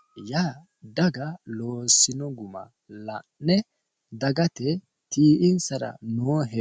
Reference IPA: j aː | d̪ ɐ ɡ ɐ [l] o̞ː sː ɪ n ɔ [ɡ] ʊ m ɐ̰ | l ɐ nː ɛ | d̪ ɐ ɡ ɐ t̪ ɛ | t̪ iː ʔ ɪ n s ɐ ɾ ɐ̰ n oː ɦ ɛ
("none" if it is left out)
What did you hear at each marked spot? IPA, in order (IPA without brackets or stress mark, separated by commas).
l, ɡ